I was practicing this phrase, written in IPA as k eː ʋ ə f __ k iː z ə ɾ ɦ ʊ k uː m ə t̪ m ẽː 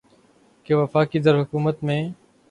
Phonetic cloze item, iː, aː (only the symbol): aː